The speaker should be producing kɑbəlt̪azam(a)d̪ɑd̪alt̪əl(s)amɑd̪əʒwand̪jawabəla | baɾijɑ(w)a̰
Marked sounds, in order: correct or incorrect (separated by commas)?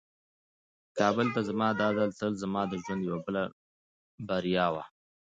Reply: incorrect, incorrect, correct